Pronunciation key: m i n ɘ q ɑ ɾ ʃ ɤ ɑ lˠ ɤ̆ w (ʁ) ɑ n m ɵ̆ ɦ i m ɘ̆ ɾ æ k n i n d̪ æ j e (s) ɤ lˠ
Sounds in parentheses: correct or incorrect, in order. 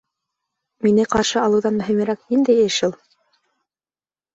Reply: incorrect: ð, incorrect: ʃ

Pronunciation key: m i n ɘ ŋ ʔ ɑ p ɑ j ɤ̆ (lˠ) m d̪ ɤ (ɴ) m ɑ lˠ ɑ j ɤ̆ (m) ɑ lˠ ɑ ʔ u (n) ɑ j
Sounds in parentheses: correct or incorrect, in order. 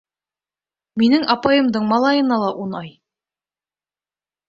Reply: incorrect: none, correct, incorrect: n, correct

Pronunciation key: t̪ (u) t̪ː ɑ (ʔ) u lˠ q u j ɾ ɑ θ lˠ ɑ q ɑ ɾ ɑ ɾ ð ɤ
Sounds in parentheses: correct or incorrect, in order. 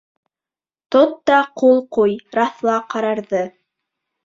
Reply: incorrect: o, incorrect: q

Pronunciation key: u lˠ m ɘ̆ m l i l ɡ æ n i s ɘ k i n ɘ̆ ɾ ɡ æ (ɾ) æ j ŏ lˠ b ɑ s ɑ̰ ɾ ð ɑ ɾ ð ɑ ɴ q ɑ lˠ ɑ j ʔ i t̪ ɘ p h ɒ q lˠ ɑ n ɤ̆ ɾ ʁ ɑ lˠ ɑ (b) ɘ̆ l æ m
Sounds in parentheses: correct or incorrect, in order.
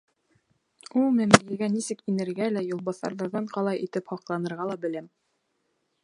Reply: incorrect: l, correct

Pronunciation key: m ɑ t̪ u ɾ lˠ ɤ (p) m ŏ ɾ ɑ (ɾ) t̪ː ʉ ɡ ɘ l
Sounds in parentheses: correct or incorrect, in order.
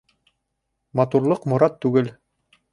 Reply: incorrect: q, incorrect: none

